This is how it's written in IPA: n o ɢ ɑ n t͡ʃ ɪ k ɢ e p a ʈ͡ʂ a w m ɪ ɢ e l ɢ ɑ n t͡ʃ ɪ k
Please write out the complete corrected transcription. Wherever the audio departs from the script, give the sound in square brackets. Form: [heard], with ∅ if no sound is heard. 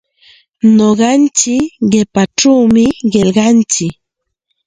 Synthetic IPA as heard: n o ɢ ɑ n t͡ʃ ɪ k ɢ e p a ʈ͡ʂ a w m ɪ ɢ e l ɢ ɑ n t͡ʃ ɪ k